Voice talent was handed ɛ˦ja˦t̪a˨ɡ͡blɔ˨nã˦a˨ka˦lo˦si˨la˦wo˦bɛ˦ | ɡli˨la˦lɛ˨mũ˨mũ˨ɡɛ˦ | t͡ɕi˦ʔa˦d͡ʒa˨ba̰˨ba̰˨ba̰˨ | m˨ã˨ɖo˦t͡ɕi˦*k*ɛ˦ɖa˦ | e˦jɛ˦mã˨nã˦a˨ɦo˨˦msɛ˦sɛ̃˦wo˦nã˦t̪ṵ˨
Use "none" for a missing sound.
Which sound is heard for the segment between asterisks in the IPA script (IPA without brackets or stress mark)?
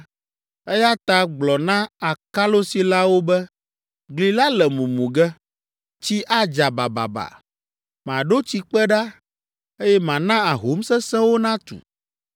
k͡p